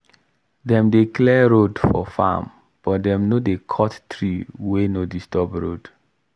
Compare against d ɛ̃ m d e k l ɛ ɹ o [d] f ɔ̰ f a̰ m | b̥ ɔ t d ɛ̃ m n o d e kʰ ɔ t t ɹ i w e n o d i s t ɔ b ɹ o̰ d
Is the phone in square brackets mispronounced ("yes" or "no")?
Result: no